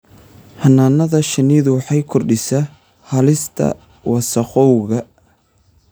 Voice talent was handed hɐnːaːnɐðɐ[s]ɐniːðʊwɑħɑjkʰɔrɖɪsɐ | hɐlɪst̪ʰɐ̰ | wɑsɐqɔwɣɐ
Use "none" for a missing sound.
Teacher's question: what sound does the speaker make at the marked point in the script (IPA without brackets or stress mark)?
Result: ʃ